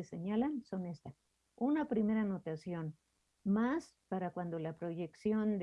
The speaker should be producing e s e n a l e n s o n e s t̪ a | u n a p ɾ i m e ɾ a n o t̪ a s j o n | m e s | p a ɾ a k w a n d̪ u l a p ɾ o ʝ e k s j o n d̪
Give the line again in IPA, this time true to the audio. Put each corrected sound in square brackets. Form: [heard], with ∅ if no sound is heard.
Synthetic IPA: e s e [ɲ] a l [a] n s o n e s t̪ a | u n a p ɾ i m e ɾ a n o t̪ a s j o n | m [a] s | p a ɾ a k w a n d̪ [o] l a p ɾ o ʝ e k s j o n d̪